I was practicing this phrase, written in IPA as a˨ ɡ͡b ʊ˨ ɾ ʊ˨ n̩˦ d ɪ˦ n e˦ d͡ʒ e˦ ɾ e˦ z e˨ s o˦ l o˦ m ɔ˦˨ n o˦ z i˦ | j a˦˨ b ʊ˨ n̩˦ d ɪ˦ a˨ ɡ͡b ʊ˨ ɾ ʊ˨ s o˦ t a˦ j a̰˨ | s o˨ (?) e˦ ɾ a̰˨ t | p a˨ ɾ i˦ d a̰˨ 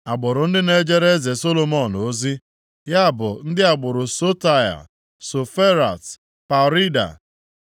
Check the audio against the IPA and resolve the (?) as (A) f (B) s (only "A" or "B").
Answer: A